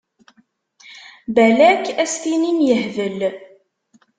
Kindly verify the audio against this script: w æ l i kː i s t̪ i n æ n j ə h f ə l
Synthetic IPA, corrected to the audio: b æ l æ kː æ s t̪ i n i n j ə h v ə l